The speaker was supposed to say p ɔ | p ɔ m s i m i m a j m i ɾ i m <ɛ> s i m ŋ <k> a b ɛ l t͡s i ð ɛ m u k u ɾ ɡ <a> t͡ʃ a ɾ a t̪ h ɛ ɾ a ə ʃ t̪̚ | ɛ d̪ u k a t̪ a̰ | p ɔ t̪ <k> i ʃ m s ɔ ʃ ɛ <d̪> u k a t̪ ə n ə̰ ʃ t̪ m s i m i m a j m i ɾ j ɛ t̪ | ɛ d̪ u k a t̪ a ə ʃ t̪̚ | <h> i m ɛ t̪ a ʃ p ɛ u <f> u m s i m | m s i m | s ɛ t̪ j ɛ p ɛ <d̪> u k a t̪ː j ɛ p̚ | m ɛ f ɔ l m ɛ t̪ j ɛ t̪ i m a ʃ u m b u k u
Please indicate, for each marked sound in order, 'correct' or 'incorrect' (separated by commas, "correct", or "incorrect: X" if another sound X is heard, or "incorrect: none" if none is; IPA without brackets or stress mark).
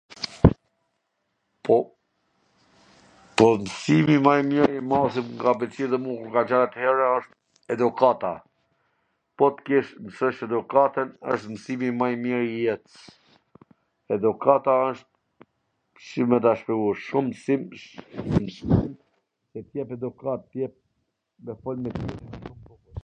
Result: incorrect: a, incorrect: ɡ, correct, correct, correct, incorrect: ʃ, incorrect: ʃ, correct